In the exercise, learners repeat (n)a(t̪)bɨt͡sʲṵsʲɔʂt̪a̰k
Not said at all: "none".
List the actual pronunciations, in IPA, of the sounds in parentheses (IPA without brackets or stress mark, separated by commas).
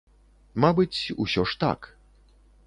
m, none